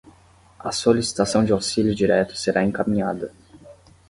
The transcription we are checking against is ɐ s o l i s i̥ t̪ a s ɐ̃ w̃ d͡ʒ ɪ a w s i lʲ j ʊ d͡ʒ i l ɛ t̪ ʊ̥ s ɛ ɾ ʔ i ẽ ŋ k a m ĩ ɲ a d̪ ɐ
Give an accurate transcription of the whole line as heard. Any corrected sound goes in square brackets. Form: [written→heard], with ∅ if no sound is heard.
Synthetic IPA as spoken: ɐ s o l i s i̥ t̪ a s ɐ̃ w̃ d͡ʒ ɪ a w s i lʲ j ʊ d͡ʒ i [l→ɾ] ɛ t̪ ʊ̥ s [ɛ→e] ɾ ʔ [i→a] ẽ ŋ k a m ĩ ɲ a d̪ ɐ